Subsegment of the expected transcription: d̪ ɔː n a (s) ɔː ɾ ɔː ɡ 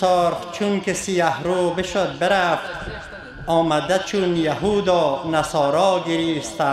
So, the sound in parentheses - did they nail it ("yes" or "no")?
yes